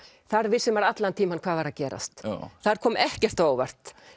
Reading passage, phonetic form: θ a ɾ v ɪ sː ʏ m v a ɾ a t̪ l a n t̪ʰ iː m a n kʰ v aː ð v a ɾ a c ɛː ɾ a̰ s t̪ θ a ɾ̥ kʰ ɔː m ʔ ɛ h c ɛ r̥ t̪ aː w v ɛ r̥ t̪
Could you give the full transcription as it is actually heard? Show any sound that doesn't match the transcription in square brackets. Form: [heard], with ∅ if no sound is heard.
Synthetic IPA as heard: θ a ɾ v ɪ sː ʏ m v a ɾ a t̪ l a n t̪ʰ iː m a n kʰ v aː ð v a ɾ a c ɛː ɾ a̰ s t̪ θ a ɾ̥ kʰ ɔː m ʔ ɛ h c ɛ r̥ t̪ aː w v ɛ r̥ t̪